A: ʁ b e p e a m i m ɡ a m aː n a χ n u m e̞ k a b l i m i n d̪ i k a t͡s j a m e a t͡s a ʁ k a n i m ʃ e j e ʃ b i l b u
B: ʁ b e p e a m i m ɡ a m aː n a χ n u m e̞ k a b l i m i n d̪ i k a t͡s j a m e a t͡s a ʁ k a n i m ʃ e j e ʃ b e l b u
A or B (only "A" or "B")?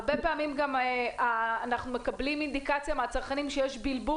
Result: A